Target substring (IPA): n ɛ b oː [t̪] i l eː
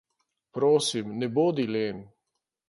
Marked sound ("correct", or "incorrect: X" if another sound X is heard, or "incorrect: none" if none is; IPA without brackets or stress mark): incorrect: d̪